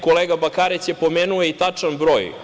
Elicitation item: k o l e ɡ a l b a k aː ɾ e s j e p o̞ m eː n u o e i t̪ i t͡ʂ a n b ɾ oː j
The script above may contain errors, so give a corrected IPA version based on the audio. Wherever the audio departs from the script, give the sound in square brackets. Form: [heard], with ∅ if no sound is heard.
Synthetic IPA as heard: k o l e ɡ a [∅] b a k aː ɾ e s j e p o̞ m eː n u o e i t̪ [a] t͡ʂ a n b ɾ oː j